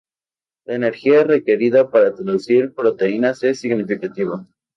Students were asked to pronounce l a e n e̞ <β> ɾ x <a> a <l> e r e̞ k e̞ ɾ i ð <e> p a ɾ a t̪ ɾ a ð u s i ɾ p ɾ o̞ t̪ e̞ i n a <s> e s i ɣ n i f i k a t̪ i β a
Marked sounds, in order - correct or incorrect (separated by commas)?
incorrect, incorrect, incorrect, incorrect, correct